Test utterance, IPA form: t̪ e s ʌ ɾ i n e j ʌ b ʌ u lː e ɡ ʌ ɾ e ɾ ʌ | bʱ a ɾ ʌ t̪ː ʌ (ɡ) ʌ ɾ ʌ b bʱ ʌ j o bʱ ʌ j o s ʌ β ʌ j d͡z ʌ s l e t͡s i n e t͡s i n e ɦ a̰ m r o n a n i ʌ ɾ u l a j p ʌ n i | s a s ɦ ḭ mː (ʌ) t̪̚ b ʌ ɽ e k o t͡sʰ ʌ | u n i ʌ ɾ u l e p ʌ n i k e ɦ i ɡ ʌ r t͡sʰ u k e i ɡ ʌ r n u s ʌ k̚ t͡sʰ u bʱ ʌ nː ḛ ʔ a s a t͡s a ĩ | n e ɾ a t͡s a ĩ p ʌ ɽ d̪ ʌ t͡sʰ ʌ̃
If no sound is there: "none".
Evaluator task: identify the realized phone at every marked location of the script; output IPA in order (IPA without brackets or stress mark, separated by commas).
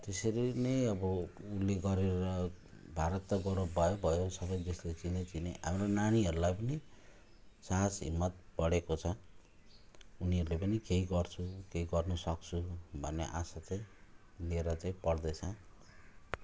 ɡ, ʌ